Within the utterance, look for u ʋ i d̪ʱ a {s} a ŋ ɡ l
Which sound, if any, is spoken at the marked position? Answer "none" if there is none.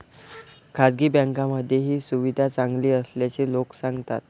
t͡s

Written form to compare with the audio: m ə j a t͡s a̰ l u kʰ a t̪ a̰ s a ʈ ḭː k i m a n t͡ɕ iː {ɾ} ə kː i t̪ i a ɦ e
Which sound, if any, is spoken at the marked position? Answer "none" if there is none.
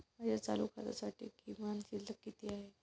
l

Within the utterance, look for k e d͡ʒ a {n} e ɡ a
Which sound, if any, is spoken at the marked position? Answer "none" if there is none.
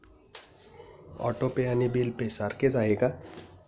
none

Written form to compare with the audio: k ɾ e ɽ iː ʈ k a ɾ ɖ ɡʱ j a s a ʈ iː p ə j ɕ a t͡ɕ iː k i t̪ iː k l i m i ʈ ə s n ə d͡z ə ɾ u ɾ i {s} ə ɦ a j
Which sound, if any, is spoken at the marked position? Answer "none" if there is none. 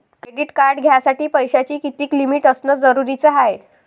t͡s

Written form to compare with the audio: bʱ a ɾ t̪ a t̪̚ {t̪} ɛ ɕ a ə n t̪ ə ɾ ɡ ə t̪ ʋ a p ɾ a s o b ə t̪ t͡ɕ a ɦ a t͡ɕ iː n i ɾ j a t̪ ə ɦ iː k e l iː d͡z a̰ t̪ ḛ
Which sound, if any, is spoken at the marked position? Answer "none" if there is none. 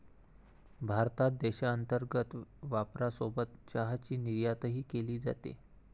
d̪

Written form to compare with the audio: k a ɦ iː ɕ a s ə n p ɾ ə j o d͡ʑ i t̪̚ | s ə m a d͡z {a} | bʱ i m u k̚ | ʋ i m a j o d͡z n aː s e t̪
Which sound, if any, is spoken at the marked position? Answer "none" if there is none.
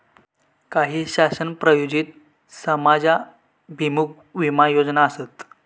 a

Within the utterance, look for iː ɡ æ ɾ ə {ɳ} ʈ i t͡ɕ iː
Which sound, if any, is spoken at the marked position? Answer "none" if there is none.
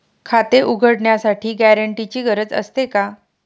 ɳ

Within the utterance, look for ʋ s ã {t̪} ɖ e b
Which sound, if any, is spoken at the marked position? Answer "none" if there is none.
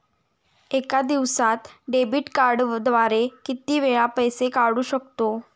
t̪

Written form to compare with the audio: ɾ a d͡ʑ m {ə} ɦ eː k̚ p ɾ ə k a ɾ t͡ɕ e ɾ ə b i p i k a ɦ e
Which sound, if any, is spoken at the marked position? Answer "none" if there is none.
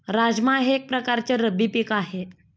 a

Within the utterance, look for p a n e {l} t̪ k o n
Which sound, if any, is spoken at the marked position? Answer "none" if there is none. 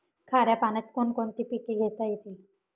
none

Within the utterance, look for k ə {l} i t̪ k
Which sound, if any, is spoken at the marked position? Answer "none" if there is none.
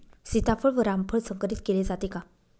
ɾ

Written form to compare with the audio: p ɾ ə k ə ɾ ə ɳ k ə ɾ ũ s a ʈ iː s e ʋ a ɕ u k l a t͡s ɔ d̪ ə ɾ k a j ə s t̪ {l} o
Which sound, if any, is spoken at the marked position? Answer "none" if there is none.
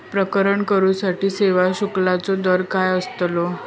l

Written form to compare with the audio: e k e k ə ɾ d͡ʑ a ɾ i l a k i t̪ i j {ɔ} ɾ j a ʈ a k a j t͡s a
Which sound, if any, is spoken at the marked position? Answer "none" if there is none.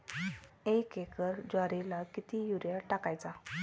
u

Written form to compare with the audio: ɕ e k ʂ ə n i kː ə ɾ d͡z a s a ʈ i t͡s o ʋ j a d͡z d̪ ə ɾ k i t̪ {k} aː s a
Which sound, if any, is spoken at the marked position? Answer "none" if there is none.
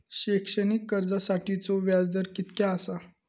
k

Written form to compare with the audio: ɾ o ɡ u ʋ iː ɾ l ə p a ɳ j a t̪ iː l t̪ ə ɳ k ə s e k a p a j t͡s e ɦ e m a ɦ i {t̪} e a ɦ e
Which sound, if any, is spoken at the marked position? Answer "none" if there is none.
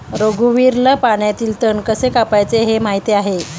t̪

